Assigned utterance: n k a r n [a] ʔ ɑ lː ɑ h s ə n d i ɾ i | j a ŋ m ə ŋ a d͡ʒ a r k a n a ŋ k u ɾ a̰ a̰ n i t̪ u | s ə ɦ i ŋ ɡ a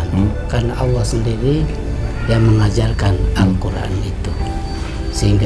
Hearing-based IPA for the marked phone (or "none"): a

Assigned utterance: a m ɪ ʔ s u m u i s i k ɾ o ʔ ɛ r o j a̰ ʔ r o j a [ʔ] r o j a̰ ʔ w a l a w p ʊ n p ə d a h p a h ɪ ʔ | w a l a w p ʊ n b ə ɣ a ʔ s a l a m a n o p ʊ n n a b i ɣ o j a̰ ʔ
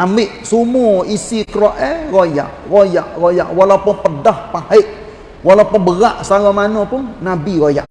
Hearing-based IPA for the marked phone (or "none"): ʔ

